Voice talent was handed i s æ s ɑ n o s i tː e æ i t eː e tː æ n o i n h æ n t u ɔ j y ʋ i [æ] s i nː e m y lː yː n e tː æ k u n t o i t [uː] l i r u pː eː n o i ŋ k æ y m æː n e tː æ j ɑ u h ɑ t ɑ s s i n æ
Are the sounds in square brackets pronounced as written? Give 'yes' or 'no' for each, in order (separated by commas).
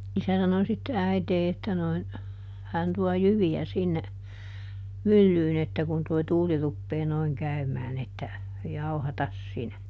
yes, yes